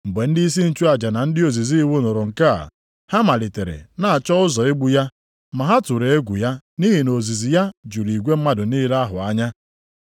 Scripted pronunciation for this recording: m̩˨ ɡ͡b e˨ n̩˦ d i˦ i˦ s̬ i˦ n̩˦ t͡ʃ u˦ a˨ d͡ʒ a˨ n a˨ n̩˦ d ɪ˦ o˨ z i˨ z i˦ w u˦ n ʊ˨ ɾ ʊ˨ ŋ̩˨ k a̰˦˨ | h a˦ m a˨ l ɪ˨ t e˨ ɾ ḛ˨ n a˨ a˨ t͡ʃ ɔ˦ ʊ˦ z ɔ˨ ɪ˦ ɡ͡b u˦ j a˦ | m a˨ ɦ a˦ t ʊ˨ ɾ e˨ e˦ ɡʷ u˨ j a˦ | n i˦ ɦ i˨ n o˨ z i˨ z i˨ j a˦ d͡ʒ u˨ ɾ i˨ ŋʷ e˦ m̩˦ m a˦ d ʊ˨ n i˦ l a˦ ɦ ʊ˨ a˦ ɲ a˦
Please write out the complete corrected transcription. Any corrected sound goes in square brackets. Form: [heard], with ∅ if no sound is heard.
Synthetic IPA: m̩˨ ɡ͡b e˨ n̩˦ d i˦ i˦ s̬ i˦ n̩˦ t͡ʃ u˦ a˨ d͡ʒ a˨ n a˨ n̩˦ d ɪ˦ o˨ z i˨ z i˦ w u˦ n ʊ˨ ɾ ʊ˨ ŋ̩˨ k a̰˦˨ | h a˦ m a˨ l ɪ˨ t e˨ ɾ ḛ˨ n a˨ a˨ t͡ʃ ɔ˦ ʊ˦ z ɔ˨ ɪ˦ ɡ͡b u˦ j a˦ | m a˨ ɦ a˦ t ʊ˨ ɾ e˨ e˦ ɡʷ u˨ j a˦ | n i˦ ɦ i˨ n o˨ z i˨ z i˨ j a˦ d͡ʒ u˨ ɾ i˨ [ɡʷ] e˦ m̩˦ m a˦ d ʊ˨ n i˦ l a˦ ɦ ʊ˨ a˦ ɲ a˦